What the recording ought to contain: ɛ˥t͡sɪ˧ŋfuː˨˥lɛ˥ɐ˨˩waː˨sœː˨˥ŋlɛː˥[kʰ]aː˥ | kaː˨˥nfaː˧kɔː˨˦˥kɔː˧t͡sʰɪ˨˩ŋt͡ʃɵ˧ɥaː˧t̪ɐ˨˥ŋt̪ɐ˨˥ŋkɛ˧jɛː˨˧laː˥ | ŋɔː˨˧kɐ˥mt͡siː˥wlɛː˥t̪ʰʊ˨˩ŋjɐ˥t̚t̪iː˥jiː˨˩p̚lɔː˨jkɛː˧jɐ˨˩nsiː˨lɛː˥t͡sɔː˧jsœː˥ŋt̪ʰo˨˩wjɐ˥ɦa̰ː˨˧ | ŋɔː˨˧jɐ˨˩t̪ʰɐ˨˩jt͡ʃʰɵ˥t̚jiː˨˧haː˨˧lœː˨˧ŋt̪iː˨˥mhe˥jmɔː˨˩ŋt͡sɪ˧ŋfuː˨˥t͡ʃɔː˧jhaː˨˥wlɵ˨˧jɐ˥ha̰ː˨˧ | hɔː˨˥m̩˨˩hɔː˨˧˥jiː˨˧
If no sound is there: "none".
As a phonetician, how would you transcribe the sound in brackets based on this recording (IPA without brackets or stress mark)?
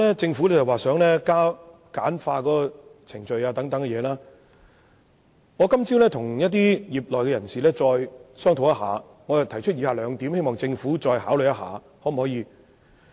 k